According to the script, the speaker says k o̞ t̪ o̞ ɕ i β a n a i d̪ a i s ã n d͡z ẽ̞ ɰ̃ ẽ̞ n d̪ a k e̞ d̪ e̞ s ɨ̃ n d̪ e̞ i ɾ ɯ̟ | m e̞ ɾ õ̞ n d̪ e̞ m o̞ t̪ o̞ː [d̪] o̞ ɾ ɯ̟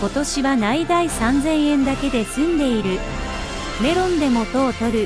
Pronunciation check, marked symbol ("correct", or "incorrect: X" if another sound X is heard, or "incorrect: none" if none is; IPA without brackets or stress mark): incorrect: t̪